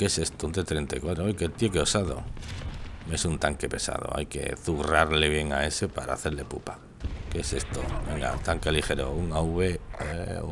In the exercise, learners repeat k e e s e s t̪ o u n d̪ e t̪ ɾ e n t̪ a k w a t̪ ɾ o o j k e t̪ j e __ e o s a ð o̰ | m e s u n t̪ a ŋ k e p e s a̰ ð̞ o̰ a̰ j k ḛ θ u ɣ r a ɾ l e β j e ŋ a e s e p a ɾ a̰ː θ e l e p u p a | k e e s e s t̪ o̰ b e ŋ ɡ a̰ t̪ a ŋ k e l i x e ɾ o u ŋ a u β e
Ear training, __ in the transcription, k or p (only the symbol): k